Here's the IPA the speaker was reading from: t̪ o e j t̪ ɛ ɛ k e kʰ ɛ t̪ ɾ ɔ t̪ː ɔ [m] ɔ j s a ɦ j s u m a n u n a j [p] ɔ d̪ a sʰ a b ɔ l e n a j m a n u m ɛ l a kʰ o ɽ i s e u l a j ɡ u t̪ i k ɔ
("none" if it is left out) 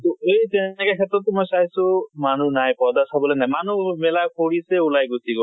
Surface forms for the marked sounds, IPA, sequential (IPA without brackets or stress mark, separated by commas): m, p